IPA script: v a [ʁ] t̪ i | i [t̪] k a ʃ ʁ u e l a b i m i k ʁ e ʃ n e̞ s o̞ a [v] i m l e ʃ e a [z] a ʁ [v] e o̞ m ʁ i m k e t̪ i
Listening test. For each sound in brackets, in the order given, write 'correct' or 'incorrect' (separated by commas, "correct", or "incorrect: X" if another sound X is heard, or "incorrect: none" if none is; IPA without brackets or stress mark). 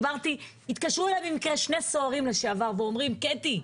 correct, correct, incorrect: ʁ, incorrect: v, correct